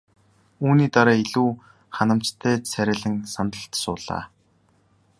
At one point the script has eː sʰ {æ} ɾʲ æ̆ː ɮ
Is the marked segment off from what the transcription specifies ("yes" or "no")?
no